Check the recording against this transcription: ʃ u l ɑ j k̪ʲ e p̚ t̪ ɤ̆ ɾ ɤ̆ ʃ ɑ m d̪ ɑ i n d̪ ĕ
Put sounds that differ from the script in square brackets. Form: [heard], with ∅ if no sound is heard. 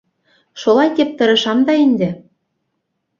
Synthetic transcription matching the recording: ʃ [o] l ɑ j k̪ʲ e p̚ t̪ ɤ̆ ɾ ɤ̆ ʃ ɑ m d̪ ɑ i n d̪ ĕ